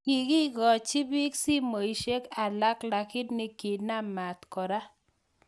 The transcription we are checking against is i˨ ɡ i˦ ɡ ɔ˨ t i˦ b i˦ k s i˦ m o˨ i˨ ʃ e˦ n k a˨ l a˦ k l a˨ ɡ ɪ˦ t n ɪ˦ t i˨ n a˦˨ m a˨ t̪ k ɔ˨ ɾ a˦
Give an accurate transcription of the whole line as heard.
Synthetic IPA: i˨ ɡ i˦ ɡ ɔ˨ t͡ʃ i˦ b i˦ k s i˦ m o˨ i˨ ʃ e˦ k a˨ l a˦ k l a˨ k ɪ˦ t n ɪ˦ k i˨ n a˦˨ m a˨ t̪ k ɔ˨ ɾ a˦